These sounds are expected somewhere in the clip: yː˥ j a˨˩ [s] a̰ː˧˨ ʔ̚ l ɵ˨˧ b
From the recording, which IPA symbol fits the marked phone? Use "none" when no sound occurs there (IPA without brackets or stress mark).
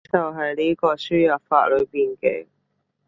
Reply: f